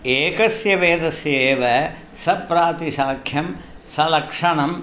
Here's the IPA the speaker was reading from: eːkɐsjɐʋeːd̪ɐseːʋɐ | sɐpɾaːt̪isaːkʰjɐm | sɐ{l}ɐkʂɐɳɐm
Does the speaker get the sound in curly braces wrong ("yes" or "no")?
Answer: no